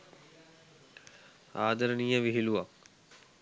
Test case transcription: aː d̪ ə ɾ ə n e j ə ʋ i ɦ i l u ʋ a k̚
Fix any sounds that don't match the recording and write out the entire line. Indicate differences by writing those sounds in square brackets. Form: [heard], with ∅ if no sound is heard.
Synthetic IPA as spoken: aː d̪ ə ɾ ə n [i] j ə ʋ i ɦ i l u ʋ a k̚